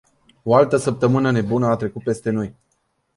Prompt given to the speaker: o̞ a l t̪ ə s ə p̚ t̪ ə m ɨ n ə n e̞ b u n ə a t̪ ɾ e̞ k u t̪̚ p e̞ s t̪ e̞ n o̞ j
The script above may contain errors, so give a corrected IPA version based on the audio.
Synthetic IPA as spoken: o̞ a l t̪ ə s ə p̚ t̪ ə m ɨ n ə n e̞ b u n ə a t̪ ɾ e̞ k u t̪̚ p e̞ s t̪ e̞ n o̞ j